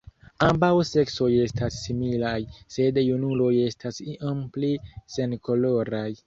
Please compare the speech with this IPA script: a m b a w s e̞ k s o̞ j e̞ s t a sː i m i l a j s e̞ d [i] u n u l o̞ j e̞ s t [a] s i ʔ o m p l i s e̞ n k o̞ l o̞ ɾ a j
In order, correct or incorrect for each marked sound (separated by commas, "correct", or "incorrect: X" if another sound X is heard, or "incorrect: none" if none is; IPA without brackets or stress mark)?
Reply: incorrect: j, correct